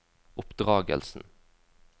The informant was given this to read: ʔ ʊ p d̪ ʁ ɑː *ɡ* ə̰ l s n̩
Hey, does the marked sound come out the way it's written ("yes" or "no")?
yes